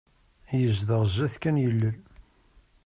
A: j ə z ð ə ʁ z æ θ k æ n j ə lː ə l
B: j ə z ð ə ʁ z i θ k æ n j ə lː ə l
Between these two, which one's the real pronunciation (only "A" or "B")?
A